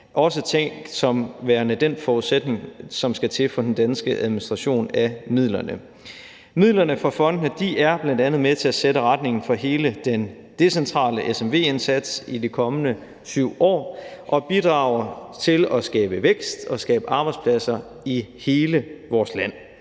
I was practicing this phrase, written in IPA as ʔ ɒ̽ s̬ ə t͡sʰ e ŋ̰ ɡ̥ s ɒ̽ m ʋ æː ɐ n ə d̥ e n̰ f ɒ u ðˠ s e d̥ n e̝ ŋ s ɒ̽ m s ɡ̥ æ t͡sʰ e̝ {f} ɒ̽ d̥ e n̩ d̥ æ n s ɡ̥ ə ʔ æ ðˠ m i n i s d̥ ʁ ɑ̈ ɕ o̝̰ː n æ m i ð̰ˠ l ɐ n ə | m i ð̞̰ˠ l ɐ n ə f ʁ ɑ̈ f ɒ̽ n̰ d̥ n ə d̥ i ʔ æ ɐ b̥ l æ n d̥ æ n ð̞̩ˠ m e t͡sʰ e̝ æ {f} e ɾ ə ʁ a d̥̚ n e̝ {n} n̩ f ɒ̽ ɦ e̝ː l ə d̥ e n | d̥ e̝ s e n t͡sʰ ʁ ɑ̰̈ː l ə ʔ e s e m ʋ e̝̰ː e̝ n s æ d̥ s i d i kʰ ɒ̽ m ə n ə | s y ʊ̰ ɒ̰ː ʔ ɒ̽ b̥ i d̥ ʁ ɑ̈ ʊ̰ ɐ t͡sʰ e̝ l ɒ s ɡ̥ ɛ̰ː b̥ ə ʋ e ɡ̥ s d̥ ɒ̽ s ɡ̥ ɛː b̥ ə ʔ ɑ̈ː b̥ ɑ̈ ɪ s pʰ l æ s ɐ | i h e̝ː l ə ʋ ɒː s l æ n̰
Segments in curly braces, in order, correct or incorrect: correct, incorrect: s, incorrect: ŋ

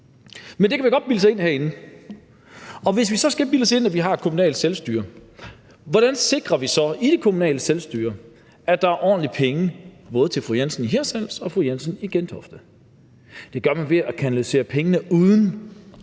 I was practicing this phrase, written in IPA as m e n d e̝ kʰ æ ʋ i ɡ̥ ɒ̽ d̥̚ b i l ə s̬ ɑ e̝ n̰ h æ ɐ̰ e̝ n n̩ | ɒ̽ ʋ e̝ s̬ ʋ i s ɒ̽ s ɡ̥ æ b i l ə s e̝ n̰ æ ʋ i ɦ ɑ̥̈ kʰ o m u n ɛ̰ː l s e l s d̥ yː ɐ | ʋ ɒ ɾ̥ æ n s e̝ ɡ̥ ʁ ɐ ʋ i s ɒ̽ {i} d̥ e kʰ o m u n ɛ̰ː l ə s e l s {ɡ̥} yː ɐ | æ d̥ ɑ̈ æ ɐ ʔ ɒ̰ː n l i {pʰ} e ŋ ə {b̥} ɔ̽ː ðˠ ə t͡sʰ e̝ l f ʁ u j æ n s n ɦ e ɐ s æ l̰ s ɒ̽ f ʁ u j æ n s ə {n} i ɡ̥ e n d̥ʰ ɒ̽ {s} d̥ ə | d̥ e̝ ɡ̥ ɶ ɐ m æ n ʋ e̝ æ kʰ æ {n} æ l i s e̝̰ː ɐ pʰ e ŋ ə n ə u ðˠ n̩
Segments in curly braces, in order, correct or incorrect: correct, incorrect: d̥, correct, correct, correct, incorrect: f, correct

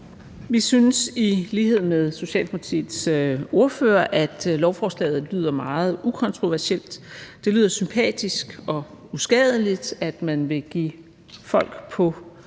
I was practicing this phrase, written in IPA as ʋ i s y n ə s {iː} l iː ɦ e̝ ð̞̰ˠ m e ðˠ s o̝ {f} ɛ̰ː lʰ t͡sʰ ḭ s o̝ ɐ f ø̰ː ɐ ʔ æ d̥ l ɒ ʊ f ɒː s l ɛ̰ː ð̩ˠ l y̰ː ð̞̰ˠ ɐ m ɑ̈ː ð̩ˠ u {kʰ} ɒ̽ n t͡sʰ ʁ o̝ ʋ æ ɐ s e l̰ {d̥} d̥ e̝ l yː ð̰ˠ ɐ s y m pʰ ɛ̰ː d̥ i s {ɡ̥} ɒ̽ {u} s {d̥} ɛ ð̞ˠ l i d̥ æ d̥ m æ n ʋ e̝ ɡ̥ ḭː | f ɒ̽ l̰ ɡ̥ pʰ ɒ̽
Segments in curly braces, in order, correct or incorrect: incorrect: i, incorrect: ɕ, correct, correct, correct, correct, incorrect: ɡ̥

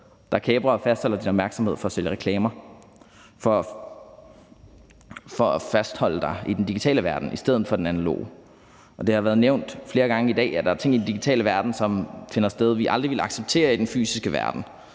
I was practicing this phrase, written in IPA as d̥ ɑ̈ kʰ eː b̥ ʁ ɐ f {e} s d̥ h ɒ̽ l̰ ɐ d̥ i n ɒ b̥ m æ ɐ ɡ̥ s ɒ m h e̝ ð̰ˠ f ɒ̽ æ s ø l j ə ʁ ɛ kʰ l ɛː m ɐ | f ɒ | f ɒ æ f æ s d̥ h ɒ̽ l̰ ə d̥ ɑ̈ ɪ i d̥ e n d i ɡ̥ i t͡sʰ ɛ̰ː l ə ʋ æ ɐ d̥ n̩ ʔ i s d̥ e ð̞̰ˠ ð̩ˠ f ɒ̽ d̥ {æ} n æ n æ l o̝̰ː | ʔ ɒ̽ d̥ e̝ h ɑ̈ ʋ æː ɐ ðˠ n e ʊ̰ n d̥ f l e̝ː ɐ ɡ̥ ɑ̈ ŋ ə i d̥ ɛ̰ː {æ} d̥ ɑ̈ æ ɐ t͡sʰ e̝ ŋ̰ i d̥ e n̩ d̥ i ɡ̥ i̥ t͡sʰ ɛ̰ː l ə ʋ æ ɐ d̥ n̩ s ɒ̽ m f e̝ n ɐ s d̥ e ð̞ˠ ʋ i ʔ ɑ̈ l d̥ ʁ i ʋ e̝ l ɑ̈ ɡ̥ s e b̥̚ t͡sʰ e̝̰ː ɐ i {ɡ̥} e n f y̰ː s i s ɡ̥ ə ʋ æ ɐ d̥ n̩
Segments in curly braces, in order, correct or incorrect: incorrect: æ, incorrect: e, correct, incorrect: d̥

